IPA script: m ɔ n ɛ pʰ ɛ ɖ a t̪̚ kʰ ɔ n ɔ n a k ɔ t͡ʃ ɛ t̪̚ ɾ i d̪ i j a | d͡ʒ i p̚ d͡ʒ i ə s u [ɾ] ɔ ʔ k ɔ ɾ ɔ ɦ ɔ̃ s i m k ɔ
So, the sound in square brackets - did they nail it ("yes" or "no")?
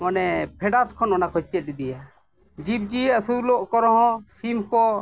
no